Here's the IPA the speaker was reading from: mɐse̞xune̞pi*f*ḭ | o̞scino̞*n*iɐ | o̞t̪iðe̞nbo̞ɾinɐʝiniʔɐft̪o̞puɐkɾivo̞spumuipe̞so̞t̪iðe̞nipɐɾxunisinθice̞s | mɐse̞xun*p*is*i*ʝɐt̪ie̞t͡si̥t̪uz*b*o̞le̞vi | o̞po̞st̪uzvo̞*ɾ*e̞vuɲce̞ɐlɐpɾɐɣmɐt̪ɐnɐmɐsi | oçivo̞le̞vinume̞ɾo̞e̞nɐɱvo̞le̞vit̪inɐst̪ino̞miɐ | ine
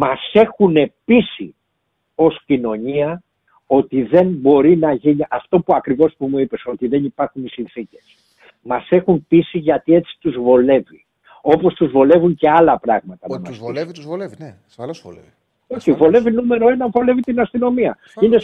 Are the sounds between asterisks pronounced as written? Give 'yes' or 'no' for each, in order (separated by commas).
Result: no, no, yes, yes, no, no